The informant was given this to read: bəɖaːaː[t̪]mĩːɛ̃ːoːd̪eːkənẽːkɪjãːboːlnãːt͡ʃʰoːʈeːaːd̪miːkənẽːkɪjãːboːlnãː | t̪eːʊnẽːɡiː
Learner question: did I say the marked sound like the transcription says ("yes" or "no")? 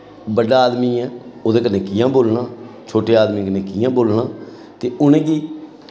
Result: no